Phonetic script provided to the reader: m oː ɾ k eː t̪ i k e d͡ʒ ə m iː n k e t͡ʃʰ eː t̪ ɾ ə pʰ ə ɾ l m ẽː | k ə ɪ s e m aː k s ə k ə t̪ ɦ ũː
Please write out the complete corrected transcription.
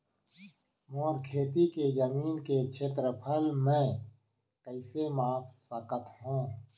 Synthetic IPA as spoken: m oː ɾ kʰ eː t̪ i k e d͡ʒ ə m iː n k e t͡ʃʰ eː t̪ ɾ ə pʰ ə l m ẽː | k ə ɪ s e m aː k s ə k ə t̪ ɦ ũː

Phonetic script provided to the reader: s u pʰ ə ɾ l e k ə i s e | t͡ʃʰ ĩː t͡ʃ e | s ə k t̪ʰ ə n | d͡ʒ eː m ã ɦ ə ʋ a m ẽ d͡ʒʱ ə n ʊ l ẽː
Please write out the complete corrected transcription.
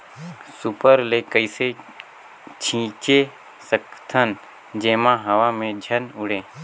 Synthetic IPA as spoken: s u p ə ɾ l e k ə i s e | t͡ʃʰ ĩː t͡ʃ e | s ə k t̪ʰ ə n | d͡ʒ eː m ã ɦ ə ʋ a m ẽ d͡ʒʱ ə n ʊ ɽ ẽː

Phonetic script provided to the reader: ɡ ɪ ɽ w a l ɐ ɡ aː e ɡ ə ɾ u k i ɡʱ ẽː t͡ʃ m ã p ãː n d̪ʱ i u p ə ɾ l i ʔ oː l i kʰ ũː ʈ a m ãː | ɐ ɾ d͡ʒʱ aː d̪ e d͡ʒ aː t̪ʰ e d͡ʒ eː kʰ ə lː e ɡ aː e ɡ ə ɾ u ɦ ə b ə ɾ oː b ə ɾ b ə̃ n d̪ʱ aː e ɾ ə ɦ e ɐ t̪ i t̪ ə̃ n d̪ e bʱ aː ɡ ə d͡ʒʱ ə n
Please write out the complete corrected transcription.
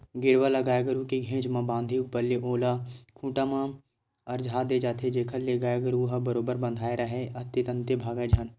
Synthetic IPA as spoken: ɡ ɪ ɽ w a l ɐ ɡ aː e ɡ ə ɾ u k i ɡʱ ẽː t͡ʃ m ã b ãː n d̪ʱ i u p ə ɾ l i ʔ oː l a kʰ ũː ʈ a m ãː | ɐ ɾ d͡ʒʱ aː d̪ e d͡ʒ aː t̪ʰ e d͡ʒ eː kʰ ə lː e ɡ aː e ɡ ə ɾ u ɦ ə b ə ɾ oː b ə ɾ b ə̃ n d̪ʱ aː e ɾ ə ɦ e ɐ t̪ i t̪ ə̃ n t̪ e bʱ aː ɡ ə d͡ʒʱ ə n

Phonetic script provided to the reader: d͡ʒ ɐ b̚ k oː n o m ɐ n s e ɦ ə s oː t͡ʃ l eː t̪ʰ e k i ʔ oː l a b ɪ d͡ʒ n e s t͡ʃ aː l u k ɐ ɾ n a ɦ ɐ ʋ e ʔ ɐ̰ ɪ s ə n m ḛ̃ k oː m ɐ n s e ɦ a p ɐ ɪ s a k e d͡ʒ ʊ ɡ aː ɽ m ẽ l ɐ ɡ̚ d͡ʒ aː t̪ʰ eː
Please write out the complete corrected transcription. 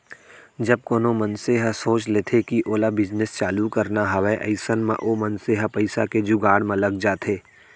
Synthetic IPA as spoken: d͡ʒ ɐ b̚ k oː n o m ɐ n s e ɦ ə s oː t͡ʃ l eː t̪ʰ e k i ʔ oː l a b ɪ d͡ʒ n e s t͡ʃ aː l u k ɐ ɾ n a ɦ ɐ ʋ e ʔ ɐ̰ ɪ s ə n m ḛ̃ ʔ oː m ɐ n s e ɦ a p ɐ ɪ s a k e d͡ʒ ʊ ɡ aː ɽ m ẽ l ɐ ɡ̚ d͡ʒ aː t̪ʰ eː

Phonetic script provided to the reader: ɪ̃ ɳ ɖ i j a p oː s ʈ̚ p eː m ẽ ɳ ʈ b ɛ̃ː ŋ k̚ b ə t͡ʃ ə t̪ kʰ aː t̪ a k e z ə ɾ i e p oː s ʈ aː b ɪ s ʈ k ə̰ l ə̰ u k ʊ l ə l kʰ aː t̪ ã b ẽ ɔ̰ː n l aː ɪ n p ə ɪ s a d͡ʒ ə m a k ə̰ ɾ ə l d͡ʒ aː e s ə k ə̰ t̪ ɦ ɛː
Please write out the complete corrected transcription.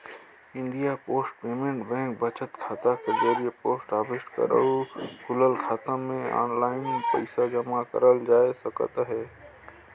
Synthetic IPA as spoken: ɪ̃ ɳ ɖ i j a p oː s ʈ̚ p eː m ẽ ɳ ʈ b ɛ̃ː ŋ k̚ b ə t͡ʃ ə t̪ kʰ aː t̪ a k e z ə ɾ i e p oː s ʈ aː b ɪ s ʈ k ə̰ ɾ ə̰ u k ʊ l ə l kʰ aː t̪ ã m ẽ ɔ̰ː n l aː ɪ n p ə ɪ s a d͡ʒ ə m a k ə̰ ɾ ə l d͡ʒ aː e s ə k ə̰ t̪ ɦ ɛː

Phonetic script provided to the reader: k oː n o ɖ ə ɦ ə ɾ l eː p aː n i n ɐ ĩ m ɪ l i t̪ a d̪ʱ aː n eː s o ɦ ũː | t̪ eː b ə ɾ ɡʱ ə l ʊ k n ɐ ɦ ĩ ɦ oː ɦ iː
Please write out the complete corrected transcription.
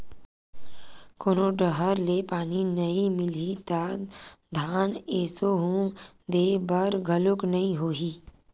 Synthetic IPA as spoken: k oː n o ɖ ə ɦ ə ɾ l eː p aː n i n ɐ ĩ m ɪ l i t̪ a d̪ʱ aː n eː s o ɦ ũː | d̪ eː b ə ɾ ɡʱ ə l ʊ k n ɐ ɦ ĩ ɦ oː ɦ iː

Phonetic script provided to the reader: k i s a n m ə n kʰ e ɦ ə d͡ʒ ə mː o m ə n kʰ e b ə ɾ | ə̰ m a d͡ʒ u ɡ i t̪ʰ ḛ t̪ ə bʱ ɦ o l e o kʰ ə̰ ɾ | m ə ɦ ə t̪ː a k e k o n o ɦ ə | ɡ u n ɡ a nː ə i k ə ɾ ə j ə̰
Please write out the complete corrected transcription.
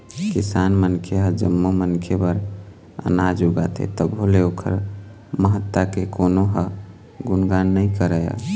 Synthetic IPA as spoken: k i s a n m ə n kʰ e ɦ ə d͡ʒ ə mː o m ə n kʰ e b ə ɾ | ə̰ n a d͡ʒ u ɡ a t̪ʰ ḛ t̪ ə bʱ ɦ o l e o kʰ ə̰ ɾ | m ə ɦ ə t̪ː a k e k o n o ɦ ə | ɡ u n ɡ a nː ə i k ə ɾ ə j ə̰

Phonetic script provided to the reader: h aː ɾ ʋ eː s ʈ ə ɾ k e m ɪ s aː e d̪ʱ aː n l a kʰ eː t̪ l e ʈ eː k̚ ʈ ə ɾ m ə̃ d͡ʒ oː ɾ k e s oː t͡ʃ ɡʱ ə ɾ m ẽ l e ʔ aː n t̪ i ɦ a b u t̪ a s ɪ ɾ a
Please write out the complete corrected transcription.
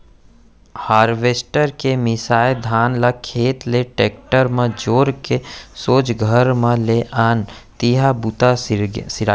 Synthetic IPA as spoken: h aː ɾ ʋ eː s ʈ ə ɾ k e m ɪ s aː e d̪ʱ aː n l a kʰ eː t̪ l e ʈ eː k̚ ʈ ə ɾ m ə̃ d͡ʒ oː ɾ k e s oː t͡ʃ ɡʱ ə ɾ m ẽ l e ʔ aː n t̪ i ɦ a b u t̪ a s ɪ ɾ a

